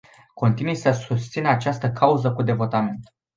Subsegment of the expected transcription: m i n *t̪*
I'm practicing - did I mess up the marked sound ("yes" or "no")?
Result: no